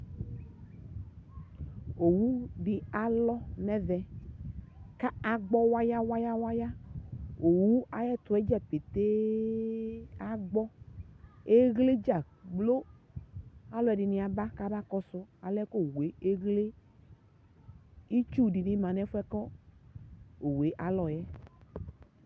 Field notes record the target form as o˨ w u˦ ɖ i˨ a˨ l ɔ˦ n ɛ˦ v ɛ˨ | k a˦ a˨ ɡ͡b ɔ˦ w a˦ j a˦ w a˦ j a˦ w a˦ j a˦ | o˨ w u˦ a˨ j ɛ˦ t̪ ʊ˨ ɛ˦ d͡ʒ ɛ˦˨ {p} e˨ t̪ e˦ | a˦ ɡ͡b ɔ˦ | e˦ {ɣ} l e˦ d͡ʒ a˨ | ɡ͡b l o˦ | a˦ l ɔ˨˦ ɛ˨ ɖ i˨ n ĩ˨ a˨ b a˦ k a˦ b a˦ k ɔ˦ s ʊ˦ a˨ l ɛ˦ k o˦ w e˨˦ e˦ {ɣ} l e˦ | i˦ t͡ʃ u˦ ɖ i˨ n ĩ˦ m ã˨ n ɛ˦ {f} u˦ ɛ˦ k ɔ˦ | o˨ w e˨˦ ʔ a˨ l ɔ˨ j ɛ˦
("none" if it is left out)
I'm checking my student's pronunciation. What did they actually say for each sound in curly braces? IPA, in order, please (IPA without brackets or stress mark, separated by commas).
p, ɣ, ɣ, f